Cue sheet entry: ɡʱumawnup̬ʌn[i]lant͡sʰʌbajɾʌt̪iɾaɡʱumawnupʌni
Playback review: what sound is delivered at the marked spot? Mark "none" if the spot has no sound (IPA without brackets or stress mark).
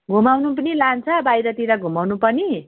i